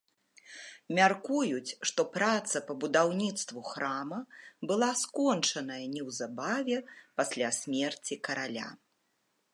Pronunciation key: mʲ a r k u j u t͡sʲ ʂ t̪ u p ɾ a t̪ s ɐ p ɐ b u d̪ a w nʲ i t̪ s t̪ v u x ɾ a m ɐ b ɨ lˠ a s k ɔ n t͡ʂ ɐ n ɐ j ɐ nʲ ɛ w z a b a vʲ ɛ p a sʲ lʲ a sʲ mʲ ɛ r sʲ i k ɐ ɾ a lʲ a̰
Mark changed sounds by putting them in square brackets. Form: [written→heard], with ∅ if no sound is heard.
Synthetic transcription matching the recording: mʲ a r k u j u t͡sʲ ʂ t̪ [u→ɔ] p ɾ a t̪ s ɐ p ɐ b u d̪ a w nʲ i t̪ s t̪ v u x ɾ a m ɐ b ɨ lˠ a s k ɔ n t͡ʂ ɐ n ɐ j ɐ nʲ ɛ w z a b a vʲ ɛ p a sʲ lʲ a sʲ mʲ ɛ r [sʲ→t͡sʲ] i k ɐ ɾ a lʲ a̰

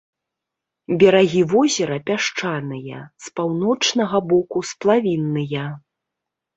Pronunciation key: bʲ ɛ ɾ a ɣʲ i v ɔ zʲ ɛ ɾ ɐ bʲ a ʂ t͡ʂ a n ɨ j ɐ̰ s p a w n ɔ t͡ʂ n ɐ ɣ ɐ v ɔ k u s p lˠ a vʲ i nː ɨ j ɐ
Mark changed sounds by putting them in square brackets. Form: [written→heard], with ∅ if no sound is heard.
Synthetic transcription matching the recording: bʲ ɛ ɾ a ɣʲ i v ɔ zʲ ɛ ɾ ɐ [bʲ→pʲ] a ʂ t͡ʂ a n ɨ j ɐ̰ s p a w n ɔ t͡ʂ n ɐ ɣ ɐ [v→b] ɔ k u s p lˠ a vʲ i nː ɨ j ɐ

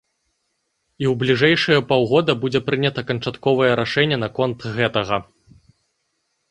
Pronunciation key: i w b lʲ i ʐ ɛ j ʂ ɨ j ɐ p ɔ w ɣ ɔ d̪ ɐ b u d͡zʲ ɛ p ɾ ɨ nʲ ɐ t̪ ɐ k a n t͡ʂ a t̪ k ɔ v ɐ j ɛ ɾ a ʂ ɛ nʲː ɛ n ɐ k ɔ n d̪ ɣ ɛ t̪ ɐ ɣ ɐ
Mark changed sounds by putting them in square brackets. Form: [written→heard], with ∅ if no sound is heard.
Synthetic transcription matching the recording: i w b lʲ i ʐ ɛ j ʂ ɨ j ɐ p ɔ w ɣ ɔ d̪ ɐ b u d͡zʲ ɛ p ɾ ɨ nʲ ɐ t̪ ɐ k [a→ɐ] n t͡ʂ a t̪ k ɔ v ɐ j ɛ ɾ a ʂ ɛ nʲː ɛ n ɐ k ɔ n [d̪→t̪] ɣ ɛ t̪ ɐ ɣ ɐ

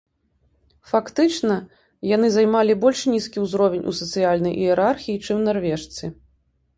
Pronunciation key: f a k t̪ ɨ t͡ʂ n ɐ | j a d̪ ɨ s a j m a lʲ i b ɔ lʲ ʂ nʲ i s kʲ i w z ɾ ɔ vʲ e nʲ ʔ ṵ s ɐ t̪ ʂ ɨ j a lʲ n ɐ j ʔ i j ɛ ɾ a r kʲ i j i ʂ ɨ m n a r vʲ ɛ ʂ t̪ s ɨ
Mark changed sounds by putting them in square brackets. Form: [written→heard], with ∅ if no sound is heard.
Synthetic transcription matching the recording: f a k t̪ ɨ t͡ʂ n ɐ | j a [d̪→n̪] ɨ [s→z] a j m a lʲ i b ɔ lʲ ʂ nʲ i s kʲ i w z ɾ ɔ vʲ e nʲ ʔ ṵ s ɐ t̪ [ʂ→s] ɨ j a lʲ n ɐ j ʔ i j ɛ ɾ a r [kʲ→xʲ] i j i [ʂ→t͡ʂ] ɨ m n a r vʲ ɛ ʂ t̪ s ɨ

